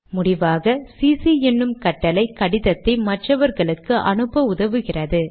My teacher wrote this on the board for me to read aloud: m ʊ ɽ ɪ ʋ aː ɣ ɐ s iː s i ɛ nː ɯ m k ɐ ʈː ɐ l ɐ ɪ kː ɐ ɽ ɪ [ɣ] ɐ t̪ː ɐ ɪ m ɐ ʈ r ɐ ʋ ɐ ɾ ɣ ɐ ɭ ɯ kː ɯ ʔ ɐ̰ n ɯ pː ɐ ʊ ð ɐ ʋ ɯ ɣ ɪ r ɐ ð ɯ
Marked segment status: incorrect: ð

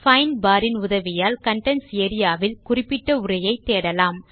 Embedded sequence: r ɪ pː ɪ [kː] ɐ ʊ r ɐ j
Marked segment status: incorrect: ʈː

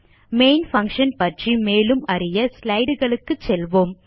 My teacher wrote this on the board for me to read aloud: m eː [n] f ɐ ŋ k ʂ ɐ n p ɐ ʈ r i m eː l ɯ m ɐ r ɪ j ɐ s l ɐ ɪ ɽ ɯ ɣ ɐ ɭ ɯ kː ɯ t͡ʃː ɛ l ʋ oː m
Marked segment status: correct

